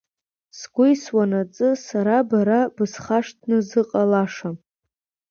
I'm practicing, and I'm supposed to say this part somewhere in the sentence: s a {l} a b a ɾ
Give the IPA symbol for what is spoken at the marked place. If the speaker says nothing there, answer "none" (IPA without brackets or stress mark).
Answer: ɾ